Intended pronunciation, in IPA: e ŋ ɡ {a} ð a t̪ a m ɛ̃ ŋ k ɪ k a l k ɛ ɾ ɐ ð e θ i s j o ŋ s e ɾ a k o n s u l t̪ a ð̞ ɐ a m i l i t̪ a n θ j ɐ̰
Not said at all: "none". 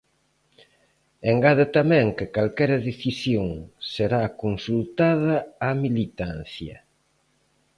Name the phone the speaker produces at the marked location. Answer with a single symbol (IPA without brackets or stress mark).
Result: a